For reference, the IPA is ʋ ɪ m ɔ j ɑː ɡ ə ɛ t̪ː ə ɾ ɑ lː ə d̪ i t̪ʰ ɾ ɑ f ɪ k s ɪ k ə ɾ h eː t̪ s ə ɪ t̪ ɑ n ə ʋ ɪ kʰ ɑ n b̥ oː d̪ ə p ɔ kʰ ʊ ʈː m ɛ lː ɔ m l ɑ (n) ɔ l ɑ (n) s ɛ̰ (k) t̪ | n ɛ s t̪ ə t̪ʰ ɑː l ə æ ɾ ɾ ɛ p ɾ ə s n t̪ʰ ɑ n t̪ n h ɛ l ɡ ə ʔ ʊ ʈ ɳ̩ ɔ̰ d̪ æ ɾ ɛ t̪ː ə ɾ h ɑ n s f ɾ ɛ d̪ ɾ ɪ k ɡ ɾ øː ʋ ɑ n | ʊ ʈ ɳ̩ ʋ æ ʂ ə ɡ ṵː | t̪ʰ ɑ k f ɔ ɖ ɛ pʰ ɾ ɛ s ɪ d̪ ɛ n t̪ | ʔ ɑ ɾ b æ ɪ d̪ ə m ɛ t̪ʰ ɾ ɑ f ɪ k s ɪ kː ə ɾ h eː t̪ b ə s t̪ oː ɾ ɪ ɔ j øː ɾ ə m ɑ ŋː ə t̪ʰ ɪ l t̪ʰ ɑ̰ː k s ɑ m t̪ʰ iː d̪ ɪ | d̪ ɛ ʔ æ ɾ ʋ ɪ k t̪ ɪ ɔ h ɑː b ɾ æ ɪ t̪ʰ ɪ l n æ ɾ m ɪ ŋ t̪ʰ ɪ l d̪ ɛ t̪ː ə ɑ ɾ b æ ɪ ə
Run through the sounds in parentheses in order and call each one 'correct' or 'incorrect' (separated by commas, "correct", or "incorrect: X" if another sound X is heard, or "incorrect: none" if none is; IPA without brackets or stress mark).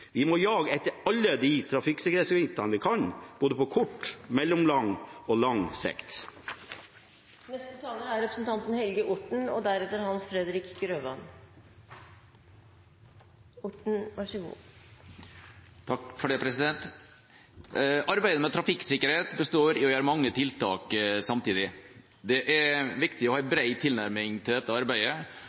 incorrect: ŋ, incorrect: ŋ, correct